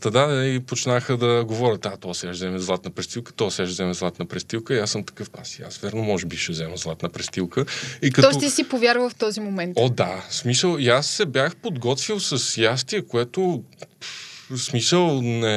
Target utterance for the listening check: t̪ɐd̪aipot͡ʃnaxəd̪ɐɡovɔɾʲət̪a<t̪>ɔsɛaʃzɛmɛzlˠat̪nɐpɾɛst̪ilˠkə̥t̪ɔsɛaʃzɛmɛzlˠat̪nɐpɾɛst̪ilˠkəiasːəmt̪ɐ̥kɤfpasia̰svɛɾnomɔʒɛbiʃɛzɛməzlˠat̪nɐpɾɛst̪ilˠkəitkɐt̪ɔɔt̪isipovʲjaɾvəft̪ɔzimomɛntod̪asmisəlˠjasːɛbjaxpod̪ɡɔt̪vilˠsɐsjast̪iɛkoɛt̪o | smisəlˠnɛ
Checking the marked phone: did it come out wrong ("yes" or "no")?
no